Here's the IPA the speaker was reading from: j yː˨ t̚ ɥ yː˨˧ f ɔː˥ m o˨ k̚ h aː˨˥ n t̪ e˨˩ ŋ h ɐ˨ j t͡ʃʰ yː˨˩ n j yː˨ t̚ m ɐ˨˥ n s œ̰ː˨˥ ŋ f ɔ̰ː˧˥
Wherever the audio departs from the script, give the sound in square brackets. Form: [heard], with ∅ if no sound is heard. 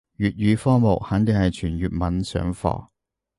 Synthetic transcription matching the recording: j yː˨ t̚ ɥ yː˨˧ f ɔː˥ m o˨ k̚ h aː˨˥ n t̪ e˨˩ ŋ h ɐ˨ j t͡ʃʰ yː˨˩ n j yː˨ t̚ m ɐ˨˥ n s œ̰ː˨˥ ŋ f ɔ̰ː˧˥